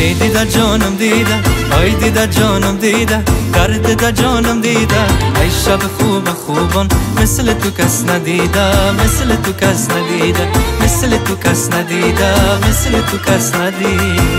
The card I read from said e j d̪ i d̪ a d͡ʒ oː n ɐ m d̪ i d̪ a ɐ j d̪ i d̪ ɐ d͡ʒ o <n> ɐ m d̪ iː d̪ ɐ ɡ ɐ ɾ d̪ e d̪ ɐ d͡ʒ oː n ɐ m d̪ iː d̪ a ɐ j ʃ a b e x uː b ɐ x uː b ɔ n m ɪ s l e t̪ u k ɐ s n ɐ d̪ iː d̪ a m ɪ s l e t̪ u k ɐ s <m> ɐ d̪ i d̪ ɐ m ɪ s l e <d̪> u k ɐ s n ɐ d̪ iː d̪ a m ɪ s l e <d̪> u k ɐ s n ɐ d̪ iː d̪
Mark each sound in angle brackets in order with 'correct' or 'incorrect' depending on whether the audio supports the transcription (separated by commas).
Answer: correct, incorrect, incorrect, incorrect